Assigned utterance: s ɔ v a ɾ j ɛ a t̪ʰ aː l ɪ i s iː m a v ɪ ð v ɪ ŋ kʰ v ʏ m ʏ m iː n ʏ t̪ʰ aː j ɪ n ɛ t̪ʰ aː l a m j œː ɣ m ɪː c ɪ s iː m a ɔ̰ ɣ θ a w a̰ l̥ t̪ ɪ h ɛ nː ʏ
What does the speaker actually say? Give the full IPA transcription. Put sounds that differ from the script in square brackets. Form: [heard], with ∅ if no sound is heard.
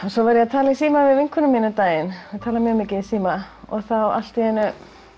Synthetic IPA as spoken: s ɔ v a ɾ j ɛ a t̪ʰ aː l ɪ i s iː m a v ɪ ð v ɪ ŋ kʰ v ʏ [n] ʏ m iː n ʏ [t̪] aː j ɪ n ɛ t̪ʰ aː l a m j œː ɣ m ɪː c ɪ s iː m a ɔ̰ ɣ θ a w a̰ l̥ t̪ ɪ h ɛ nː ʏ